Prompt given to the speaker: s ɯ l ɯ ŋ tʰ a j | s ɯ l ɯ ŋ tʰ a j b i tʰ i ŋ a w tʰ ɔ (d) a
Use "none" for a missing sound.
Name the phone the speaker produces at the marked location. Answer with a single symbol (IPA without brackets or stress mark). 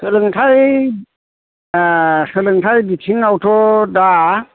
d